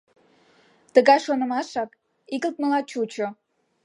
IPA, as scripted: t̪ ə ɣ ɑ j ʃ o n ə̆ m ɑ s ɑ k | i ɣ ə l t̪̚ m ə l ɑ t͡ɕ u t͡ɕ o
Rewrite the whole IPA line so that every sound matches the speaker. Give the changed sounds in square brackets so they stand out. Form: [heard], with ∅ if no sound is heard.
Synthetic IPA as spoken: t̪ ə ɣ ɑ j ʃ o n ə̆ m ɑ [ʃ] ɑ k | i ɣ ə l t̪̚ m ə l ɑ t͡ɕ u t͡ɕ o